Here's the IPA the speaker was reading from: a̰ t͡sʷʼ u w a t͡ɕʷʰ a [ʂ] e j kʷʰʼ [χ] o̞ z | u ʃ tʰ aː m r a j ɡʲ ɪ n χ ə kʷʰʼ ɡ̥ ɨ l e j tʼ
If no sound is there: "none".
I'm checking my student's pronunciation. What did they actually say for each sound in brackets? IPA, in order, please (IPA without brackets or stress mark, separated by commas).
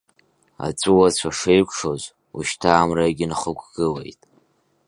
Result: ʂ, ʂ